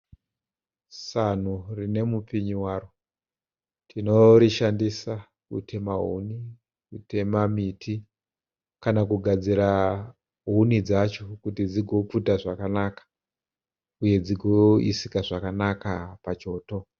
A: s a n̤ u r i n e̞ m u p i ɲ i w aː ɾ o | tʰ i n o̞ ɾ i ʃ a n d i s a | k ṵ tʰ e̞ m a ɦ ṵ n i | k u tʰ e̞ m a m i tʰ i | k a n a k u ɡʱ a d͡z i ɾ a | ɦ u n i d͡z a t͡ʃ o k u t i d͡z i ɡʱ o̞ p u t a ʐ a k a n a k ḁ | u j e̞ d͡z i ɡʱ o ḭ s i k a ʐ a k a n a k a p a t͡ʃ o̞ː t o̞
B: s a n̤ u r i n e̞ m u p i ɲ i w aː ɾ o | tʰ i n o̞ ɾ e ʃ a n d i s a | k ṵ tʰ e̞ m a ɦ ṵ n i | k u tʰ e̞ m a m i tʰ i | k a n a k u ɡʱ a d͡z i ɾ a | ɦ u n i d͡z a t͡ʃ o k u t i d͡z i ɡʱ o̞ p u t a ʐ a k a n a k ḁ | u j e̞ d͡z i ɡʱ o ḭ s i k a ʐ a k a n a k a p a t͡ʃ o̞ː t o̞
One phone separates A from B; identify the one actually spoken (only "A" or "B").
A